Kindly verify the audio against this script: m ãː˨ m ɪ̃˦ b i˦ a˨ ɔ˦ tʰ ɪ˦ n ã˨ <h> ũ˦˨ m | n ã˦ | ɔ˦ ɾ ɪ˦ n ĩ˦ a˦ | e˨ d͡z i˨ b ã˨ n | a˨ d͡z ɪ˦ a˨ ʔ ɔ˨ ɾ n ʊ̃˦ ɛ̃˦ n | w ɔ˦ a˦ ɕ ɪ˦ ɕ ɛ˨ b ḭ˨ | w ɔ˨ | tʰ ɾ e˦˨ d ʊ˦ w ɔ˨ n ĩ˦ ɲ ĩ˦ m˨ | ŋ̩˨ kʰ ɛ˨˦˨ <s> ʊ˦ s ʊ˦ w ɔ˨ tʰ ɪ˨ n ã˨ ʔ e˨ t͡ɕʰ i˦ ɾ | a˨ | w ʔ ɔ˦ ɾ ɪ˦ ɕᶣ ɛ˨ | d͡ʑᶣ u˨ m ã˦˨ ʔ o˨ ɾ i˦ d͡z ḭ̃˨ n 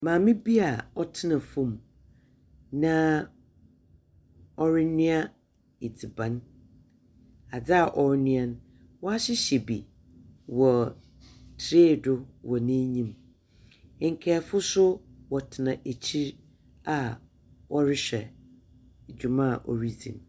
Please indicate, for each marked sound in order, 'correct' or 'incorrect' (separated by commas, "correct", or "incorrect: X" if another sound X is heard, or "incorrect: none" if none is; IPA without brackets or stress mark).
incorrect: f, incorrect: f